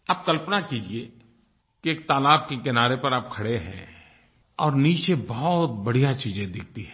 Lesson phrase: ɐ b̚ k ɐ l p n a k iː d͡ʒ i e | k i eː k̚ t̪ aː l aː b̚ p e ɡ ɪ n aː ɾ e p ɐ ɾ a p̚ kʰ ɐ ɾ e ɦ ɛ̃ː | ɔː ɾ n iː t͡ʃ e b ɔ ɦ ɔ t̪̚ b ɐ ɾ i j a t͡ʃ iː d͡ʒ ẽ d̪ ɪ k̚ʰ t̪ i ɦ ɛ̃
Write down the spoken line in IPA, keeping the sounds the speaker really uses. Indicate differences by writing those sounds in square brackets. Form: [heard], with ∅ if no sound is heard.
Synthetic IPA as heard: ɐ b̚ k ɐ l p n a k iː d͡ʒ i e | k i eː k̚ t̪ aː l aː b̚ [k] e [k] ɪ n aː ɾ e p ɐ ɾ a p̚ kʰ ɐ [ɽ] e ɦ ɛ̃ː | ɔː ɾ n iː t͡ʃ e b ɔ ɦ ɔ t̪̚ b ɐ [ɽ] i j a t͡ʃ iː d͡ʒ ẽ d̪ ɪ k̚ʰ t̪ i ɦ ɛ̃